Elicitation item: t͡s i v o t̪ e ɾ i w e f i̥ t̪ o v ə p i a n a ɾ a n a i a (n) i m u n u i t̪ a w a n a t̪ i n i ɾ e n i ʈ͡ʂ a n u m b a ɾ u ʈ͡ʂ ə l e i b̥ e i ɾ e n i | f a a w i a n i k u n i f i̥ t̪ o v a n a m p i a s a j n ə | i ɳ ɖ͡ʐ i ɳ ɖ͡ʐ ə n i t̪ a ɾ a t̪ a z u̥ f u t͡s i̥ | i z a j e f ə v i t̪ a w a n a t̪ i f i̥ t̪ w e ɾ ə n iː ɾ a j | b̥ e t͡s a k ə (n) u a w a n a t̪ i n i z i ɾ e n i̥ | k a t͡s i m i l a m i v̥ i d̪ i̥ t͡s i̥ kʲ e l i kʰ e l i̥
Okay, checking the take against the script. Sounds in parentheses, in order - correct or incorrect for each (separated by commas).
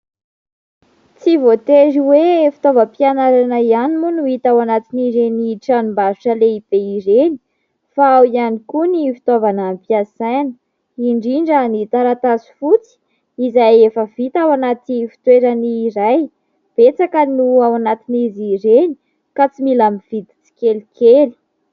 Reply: correct, correct